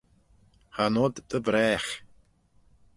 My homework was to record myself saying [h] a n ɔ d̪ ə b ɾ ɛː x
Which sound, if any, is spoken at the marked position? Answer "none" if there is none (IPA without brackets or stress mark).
h